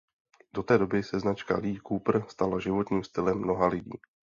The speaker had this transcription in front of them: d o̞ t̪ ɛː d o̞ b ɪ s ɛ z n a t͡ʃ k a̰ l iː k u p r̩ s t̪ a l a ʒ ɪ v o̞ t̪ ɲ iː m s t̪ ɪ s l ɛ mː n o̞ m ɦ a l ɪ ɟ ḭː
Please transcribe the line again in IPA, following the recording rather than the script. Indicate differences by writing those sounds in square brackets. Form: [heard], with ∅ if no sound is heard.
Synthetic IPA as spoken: d o̞ t̪ ɛː d o̞ b ɪ s ɛ z n a t͡ʃ k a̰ l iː k u p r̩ s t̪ a l a ʒ ɪ v o̞ t̪ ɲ iː m s t̪ ɪ [∅] l ɛ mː n o̞ [∅] ɦ a l ɪ ɟ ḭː